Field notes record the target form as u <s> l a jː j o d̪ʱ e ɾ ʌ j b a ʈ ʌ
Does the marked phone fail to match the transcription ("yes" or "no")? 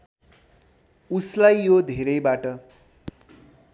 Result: no